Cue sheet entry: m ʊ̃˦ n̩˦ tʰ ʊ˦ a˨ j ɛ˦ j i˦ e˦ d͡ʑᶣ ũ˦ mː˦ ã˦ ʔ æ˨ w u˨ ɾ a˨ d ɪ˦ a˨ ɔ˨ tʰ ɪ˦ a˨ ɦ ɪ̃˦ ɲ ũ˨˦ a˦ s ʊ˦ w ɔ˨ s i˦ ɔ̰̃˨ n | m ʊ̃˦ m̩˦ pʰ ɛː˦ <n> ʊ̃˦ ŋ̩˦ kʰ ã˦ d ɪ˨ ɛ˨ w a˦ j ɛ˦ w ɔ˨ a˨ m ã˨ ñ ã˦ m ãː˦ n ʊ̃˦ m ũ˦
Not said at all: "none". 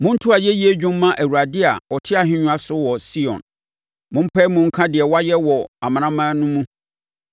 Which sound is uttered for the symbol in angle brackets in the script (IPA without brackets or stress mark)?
m